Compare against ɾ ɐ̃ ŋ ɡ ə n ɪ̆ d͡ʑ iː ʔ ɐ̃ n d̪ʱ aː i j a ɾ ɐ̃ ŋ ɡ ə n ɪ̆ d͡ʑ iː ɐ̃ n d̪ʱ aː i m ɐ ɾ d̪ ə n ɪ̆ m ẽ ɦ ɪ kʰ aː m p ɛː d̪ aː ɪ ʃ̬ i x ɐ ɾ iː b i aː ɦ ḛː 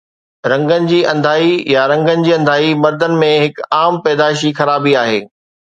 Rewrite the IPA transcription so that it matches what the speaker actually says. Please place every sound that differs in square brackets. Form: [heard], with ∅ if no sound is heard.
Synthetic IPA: ɾ ɐ̃ ŋ ɡ ə n ɪ̆ d͡ʑ iː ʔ ɐ̃ n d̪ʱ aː i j a ɾ ɐ̃ ŋ ɡ ə n ɪ̆ d͡ʑ iː ɐ̃ n d̪ʱ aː i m ɐ ɾ d̪ ə n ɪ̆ m ẽ ɦ ɪ [k] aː m p ɛː d̪ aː ɪ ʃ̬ i x ɐ ɾ [aː] b i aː ɦ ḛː